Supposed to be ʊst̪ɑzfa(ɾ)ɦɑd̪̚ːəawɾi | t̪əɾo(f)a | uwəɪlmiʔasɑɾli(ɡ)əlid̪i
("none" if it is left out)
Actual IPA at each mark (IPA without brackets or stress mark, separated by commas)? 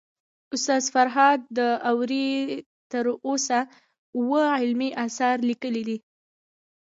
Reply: ɾ, s, k